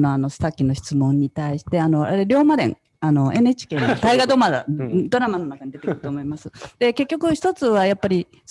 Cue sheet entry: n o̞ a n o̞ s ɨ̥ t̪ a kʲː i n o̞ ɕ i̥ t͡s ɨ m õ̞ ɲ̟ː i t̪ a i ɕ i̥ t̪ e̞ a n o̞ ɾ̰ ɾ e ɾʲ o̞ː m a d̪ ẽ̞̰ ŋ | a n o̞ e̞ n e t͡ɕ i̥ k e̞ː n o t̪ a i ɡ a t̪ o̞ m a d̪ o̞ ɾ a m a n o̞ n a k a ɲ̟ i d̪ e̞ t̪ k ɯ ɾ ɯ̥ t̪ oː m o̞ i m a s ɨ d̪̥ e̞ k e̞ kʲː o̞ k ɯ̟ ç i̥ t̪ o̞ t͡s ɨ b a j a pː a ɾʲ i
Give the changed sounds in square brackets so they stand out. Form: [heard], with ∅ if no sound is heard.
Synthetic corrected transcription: n o̞ a n o̞ s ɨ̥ t̪ a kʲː i n o̞ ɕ i̥ t͡s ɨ m õ̞ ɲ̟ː i t̪ a i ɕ i̥ t̪ e̞ a n o̞ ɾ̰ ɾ e ɾʲ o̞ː m a d̪ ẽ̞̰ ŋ | a n o̞ e̞ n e t͡ɕ i̥ k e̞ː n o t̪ a i ɡ a [d̪] o̞ m a d̪ o̞ ɾ a m a n o̞ n a k a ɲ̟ i d̪ e̞ t̪ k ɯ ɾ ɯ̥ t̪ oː m o̞ i m a s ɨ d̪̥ e̞ k e̞ kʲː o̞ k ɯ̟ ç i̥ t̪ o̞ t͡s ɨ [β] a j a pː a ɾʲ i